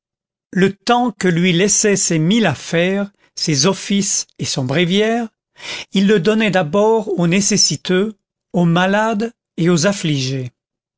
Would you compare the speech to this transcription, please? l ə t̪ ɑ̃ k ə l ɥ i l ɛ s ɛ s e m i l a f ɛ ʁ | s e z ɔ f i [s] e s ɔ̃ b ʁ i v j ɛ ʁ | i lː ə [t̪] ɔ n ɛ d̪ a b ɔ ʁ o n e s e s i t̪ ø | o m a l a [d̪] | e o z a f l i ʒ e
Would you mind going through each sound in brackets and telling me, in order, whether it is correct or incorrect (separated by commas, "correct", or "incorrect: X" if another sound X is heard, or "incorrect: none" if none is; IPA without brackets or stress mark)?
correct, incorrect: d̪, correct